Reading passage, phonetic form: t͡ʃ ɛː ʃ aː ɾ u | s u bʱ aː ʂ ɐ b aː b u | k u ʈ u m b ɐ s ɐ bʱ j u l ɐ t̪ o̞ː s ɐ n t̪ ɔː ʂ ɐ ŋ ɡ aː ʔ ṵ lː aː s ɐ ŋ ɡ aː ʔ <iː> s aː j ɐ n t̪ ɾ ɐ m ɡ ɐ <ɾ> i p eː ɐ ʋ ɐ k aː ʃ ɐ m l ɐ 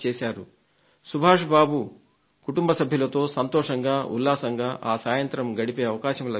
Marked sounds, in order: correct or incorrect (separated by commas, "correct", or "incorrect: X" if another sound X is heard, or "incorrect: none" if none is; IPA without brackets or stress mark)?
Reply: incorrect: aː, incorrect: ɽ